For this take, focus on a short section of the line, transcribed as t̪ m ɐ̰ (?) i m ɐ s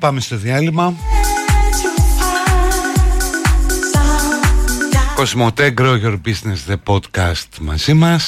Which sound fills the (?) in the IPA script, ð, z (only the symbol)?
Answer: z